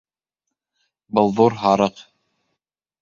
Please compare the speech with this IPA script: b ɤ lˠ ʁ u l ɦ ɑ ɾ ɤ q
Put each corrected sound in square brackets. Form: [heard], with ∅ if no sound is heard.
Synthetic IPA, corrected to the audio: b ɤ lˠ [ð] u [ɾ] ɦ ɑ ɾ ɤ q